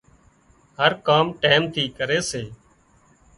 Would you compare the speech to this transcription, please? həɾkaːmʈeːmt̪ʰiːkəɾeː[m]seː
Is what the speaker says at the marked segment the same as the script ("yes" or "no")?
no